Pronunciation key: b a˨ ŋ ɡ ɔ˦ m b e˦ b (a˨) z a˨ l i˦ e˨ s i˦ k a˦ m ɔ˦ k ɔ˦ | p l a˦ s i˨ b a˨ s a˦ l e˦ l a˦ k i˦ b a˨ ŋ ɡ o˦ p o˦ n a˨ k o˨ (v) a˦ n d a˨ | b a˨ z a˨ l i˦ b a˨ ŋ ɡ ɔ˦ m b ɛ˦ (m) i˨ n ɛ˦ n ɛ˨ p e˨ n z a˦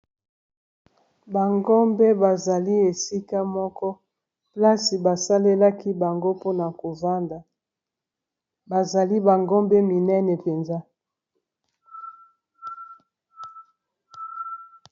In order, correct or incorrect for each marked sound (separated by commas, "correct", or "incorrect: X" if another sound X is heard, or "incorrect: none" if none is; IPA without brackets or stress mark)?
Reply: correct, correct, correct